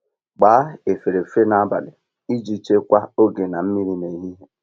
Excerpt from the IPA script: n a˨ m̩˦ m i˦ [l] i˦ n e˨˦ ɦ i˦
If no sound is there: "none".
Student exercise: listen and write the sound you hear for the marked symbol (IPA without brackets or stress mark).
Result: ɾ